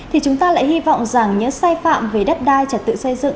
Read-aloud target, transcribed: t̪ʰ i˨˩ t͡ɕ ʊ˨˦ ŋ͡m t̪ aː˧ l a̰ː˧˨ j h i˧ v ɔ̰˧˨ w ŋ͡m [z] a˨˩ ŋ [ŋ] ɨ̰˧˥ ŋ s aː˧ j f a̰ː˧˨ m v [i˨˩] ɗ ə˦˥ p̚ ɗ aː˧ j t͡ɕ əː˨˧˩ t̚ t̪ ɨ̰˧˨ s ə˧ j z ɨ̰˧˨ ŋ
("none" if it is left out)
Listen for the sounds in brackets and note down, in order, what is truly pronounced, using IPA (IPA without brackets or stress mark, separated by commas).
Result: z, ɲ, e˨˩